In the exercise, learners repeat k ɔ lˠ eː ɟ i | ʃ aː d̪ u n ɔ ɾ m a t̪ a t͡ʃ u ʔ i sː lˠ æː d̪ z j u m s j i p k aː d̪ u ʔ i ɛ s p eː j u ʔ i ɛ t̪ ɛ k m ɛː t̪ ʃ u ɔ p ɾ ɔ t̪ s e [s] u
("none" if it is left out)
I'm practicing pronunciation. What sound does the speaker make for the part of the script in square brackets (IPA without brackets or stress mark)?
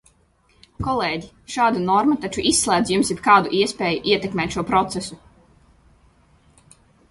s